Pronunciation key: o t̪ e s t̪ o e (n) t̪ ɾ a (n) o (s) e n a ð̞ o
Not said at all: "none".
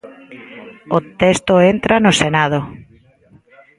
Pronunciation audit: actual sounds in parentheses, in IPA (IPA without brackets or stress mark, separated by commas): n, n, s